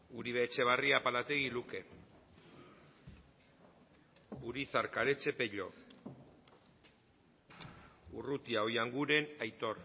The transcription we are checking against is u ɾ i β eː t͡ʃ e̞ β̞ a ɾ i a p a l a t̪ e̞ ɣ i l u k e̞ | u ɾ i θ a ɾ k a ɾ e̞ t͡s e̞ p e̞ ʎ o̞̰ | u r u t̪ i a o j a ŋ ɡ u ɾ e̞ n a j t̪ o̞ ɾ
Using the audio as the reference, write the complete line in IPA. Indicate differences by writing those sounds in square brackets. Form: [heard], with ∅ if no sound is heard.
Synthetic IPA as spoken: u ɾ i β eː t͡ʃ e̞ β̞ a [r] i a p a l a t̪ e̞ ɣ i l u k e̞ | u ɾ i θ a ɾ k a ɾ e̞ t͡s e̞ p e̞ ʎ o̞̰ | u r u t̪ i a o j a ŋ ɡ u ɾ e̞ n a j t̪ o̞ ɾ